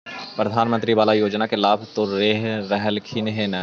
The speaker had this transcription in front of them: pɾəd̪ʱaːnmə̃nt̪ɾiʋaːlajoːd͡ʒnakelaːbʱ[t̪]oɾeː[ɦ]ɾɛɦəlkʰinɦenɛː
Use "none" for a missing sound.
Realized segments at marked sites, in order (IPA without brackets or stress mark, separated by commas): t̪, ɦ